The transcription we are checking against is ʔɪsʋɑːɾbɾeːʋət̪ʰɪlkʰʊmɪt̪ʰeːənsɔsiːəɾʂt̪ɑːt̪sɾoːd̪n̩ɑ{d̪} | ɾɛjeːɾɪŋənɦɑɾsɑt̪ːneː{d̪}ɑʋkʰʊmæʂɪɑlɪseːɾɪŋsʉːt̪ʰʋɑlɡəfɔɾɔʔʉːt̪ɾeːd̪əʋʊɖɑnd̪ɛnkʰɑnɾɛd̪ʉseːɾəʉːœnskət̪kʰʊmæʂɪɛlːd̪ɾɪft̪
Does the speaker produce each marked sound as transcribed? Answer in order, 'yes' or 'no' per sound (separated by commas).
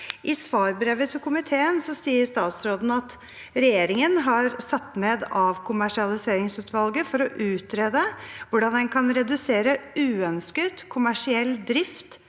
no, yes